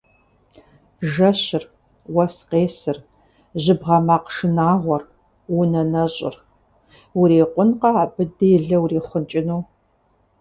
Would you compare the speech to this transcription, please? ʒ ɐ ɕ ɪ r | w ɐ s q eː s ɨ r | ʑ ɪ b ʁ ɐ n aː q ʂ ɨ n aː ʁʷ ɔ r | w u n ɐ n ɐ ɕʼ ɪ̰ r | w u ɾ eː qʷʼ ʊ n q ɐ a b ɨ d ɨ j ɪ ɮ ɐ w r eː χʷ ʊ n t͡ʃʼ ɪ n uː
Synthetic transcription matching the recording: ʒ ɐ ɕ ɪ r | w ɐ s q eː s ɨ r | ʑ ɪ b ʁ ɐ m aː q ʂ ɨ n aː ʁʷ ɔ r | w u n ɐ n ɐ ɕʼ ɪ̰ r | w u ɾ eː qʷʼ ʊ n q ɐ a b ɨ d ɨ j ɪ ɮ ɐ w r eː χʷ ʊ n t͡ʃʼ ɪ n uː